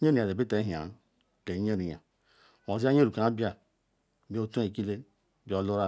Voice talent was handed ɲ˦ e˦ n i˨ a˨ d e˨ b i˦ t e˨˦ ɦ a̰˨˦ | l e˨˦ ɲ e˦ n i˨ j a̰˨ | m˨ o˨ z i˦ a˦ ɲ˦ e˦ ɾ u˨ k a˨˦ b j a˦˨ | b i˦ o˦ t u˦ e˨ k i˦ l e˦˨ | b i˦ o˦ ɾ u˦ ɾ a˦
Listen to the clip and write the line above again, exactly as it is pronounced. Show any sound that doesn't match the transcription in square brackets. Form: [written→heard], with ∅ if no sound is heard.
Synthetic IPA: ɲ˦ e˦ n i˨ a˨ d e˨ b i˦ t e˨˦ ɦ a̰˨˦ | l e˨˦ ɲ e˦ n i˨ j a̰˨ | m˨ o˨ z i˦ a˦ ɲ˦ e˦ ɾ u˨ k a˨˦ b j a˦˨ | b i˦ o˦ t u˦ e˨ k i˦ l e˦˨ | b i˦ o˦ [ɾ→l] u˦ ɾ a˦